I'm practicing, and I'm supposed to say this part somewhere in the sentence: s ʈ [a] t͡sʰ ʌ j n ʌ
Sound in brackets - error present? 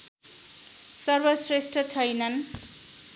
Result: yes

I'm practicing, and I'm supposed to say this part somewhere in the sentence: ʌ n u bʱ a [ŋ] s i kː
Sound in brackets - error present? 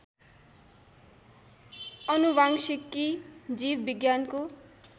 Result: no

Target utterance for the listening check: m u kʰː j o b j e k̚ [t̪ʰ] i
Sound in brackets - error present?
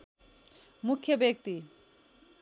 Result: yes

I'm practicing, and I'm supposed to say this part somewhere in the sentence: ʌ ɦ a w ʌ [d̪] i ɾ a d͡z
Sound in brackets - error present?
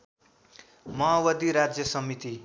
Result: no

